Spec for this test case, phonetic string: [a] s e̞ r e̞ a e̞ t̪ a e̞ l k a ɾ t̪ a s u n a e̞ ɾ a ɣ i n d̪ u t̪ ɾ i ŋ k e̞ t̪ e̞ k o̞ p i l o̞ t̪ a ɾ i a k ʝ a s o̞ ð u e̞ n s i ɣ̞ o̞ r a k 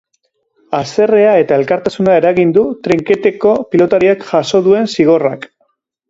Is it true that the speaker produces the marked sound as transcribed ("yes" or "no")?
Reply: yes